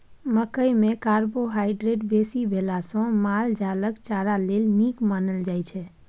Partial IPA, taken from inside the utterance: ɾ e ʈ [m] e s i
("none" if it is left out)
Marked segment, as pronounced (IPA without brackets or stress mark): b